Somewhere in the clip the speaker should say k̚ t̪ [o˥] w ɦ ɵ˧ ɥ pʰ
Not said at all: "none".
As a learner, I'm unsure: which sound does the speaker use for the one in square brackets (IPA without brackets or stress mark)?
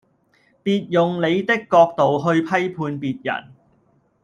o˨